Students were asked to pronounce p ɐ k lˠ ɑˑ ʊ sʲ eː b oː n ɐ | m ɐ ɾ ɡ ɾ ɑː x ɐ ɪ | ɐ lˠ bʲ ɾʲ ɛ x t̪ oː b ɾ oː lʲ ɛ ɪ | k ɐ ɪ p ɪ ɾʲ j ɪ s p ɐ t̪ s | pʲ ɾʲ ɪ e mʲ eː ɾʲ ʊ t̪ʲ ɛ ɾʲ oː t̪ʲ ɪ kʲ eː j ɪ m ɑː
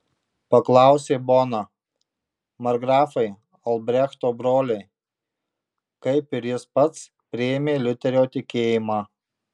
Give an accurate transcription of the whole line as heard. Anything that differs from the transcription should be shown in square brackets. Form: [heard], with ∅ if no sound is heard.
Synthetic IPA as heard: p ɐ k lˠ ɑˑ ʊ sʲ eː b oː n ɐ | m ɐ ɾ ɡ ɾ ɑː [f] ɐ ɪ | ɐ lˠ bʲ ɾʲ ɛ x t̪ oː b ɾ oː lʲ ɛ ɪ | k ɐ ɪ p ɪ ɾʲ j ɪ s p ɐ t̪ s | pʲ ɾʲ ɪ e mʲ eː [lʲ] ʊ t̪ʲ ɛ ɾʲ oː t̪ʲ ɪ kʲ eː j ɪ m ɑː